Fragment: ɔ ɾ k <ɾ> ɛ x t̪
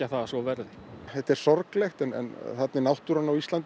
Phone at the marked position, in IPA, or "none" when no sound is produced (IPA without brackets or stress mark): l